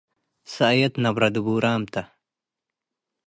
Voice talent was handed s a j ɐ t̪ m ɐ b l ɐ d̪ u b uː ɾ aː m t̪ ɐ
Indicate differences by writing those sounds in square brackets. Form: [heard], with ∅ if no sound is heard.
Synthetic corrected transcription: s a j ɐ t̪ [n] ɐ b [ɾ] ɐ d̪ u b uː ɾ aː m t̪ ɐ